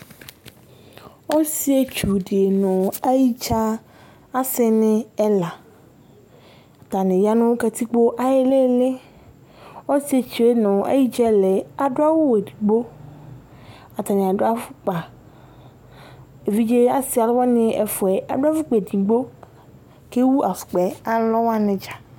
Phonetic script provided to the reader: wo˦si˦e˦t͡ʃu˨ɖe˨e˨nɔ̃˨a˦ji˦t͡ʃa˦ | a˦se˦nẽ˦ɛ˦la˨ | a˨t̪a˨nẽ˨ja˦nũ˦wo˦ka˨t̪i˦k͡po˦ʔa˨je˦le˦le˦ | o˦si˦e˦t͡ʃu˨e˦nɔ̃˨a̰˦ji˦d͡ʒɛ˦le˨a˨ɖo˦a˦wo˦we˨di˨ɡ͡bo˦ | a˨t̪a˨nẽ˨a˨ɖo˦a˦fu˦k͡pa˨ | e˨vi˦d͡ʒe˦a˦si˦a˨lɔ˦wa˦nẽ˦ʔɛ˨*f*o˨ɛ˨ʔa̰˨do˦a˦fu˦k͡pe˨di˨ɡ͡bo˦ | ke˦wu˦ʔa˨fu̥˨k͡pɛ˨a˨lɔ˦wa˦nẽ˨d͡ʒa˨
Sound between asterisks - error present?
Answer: no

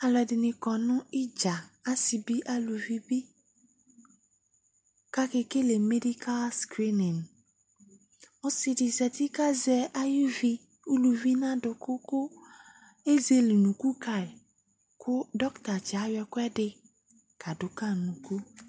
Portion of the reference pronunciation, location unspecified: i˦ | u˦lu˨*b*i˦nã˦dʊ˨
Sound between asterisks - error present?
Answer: yes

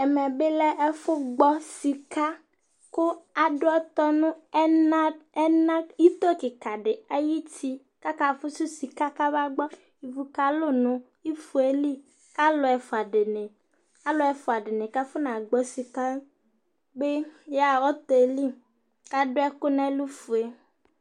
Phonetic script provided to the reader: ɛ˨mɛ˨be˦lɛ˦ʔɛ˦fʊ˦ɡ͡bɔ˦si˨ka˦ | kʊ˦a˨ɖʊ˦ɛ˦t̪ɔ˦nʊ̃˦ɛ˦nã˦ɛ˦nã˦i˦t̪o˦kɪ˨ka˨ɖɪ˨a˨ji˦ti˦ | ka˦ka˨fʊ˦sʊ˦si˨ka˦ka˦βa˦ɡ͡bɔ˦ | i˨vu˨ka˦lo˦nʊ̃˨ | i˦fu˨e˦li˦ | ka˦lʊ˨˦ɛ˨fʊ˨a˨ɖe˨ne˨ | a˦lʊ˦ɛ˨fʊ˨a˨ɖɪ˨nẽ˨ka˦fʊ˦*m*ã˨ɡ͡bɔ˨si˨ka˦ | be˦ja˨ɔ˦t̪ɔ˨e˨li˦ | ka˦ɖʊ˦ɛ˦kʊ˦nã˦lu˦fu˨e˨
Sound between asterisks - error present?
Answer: yes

